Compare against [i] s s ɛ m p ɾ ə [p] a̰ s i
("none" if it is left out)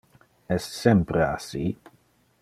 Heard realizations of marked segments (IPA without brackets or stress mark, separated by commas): ɛ, none